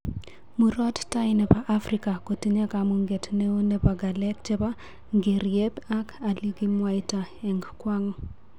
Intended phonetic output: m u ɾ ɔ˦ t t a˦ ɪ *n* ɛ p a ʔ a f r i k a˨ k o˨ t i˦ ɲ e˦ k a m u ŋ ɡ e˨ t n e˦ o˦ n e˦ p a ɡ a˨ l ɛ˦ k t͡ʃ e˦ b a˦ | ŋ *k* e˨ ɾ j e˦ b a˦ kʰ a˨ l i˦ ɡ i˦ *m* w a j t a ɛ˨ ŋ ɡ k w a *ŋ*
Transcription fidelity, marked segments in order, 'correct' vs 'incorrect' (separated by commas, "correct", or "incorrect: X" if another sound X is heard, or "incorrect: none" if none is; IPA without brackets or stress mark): correct, incorrect: ɡ, correct, correct